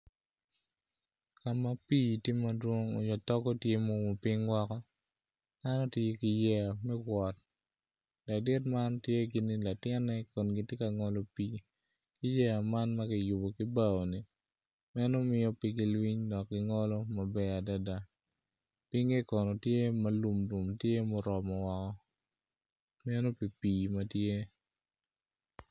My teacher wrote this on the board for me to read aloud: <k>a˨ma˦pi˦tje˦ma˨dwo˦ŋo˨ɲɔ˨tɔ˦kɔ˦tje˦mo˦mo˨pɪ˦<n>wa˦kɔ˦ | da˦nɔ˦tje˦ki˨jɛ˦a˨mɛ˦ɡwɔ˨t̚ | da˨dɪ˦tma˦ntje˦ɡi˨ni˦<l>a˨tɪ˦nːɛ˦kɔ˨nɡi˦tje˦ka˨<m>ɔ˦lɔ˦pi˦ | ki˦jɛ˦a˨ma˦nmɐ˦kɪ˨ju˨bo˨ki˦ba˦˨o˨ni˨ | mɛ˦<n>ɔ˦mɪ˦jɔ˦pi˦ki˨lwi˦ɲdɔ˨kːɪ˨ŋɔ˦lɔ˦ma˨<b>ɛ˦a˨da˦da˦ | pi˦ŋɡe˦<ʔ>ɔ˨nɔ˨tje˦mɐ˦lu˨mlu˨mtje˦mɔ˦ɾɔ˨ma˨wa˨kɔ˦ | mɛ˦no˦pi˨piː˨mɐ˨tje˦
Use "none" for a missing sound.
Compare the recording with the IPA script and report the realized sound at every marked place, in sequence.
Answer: k, ŋ, l, ŋ, n, b, k

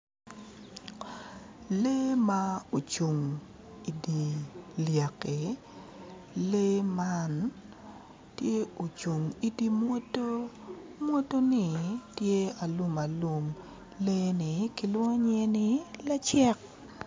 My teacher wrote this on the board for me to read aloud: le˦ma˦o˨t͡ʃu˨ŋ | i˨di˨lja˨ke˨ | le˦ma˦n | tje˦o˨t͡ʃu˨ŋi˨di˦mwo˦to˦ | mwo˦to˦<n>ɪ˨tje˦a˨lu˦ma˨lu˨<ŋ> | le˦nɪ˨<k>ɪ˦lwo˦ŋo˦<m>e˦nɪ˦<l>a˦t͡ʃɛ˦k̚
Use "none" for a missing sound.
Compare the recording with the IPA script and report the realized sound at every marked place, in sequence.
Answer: n, m, k, ɲ, l

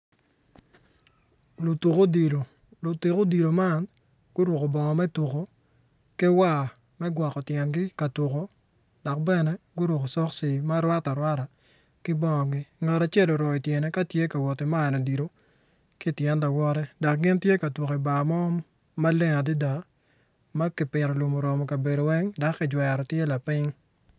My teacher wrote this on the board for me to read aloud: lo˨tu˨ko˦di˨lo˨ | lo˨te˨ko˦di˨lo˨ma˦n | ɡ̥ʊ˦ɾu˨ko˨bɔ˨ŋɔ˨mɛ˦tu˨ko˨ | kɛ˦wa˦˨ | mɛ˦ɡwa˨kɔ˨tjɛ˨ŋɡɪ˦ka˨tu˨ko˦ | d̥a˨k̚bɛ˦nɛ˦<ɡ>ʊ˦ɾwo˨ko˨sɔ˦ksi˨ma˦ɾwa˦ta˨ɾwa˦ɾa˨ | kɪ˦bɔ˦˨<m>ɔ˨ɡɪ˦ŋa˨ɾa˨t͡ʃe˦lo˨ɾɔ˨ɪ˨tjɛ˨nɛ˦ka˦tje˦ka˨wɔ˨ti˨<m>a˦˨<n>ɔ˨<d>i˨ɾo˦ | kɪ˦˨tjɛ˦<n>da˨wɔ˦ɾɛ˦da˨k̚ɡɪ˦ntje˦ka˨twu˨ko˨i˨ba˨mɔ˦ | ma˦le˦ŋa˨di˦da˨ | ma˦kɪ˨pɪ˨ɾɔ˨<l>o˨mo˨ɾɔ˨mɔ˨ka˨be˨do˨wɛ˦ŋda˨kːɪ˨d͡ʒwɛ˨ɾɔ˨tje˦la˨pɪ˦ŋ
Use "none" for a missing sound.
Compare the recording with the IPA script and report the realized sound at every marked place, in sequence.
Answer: ɡ, ŋ, m, n, d, n, l

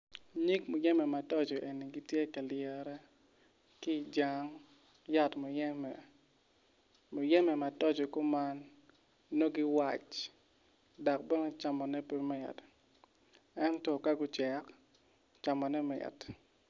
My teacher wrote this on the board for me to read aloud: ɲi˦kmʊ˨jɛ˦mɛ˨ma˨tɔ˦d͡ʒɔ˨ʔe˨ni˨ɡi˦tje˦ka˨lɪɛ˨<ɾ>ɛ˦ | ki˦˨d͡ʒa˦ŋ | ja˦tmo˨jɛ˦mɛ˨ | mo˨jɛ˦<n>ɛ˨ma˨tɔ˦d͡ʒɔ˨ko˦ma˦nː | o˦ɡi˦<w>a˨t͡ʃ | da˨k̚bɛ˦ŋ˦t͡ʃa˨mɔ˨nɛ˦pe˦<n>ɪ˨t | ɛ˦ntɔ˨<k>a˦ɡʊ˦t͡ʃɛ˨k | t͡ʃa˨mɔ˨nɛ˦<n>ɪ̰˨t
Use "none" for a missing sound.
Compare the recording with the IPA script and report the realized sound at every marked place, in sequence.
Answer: ɾ, m, w, m, k, m

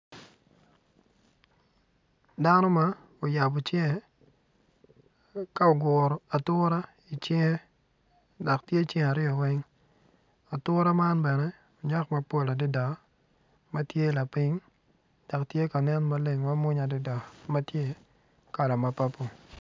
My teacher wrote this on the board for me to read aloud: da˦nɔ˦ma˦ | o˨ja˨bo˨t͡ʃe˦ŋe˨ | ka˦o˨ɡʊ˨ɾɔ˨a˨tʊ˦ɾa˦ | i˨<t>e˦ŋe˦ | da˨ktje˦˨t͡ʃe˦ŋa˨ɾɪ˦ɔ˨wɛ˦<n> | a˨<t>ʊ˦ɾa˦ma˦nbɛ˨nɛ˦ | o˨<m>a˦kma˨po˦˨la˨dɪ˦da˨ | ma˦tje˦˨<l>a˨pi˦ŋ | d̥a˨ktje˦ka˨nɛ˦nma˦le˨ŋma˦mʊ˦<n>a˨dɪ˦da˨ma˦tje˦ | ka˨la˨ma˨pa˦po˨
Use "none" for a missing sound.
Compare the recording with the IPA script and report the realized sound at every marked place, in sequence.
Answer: t͡ʃ, ŋ, t, ɲ, l, ɲ

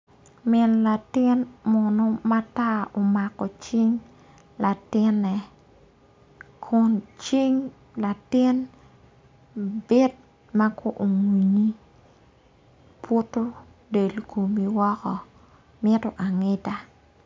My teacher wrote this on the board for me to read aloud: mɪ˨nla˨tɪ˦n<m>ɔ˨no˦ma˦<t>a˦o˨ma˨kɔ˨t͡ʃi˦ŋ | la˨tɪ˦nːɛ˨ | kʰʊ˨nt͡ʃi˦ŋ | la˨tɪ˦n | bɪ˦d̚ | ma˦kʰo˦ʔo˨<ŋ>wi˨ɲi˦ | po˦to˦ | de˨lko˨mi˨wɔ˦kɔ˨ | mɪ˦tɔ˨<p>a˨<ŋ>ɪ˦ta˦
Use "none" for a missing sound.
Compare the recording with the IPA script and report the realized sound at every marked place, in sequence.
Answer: m, t, ŋ, ʔ, ŋ

